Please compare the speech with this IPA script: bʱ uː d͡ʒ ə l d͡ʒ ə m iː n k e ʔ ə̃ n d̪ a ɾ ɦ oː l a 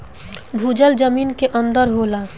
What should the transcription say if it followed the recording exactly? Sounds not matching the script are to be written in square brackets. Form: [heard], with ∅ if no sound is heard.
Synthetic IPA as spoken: bʱ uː d͡ʒ ə l d͡ʒ ə m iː n k e ʔ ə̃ n d̪ [ə] ɾ ɦ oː l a

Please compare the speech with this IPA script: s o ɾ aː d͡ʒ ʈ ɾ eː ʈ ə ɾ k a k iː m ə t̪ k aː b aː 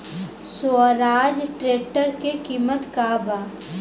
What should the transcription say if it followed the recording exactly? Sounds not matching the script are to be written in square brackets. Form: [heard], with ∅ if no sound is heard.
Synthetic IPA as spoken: s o ɾ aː d͡ʒ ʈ ɾ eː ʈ ə ɾ k [e] k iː m ə t̪ k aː b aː

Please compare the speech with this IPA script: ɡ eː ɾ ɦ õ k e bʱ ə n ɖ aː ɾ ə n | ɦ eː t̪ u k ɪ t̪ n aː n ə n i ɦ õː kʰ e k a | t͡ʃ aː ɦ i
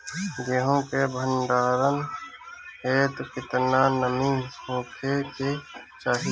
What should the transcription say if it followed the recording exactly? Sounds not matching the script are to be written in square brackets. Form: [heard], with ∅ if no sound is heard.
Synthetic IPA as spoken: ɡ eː [∅] ɦ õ k e bʱ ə n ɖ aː ɾ ə n | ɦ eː t̪ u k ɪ t̪ n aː n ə [m] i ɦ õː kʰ e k [e] | t͡ʃ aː ɦ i

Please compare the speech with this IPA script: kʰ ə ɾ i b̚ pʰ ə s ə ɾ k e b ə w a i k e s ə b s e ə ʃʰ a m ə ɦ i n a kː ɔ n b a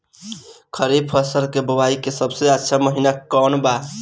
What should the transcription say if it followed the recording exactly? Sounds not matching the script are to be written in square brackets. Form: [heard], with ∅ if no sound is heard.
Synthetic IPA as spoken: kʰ ə ɾ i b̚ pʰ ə s ə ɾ k e b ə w a i k e s ə b s e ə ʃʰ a m ə ɦ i n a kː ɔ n b a

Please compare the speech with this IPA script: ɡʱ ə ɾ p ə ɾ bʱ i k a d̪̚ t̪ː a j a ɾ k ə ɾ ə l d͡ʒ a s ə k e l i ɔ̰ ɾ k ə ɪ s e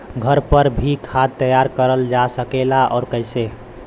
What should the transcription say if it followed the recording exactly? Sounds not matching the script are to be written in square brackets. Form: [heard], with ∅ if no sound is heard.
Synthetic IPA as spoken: ɡʱ ə ɾ p ə ɾ bʱ i [kʰ] a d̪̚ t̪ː [ə] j a ɾ k ə ɾ ə l d͡ʒ a s ə k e l [a] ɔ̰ ɾ k ə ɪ s e

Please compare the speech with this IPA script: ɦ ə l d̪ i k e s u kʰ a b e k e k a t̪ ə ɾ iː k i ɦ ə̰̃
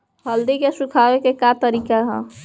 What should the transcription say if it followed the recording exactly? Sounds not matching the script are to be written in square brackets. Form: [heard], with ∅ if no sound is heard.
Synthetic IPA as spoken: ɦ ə l d̪ i k e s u kʰ a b e k e k a t̪ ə ɾ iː k [a] ɦ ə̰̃

